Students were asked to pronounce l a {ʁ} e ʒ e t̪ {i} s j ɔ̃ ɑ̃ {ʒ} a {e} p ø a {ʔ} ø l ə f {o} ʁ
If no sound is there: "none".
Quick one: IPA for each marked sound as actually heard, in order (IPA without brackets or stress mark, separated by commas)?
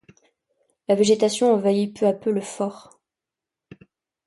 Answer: v, a, v, i, p, ɔ